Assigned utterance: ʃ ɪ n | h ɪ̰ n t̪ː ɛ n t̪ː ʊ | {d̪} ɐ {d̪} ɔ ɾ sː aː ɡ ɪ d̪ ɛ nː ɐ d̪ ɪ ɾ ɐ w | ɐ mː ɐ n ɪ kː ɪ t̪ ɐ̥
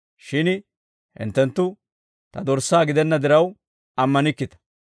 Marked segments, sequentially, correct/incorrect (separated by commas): incorrect, correct